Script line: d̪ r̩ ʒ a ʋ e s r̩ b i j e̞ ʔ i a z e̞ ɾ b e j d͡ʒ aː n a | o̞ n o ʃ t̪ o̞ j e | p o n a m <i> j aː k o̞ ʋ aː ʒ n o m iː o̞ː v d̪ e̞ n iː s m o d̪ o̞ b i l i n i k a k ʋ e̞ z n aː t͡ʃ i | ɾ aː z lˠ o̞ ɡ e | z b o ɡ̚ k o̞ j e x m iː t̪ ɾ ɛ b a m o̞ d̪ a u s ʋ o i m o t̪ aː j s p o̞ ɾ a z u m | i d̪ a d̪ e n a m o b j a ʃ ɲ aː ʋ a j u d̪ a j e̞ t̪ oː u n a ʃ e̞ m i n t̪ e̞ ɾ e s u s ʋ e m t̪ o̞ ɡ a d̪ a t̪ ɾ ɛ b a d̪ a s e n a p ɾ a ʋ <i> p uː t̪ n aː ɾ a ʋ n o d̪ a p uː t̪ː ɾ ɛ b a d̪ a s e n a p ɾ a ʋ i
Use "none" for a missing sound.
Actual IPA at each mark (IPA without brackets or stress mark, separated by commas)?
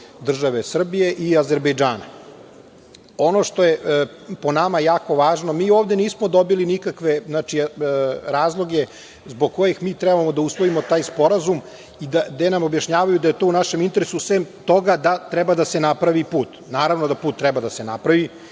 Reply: a, i